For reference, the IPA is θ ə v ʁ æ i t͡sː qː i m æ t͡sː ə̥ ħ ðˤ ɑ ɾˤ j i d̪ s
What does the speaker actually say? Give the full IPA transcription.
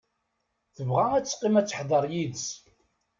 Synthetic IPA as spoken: θ ə v ʁ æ æ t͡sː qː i m æ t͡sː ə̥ ħ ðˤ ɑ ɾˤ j i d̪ s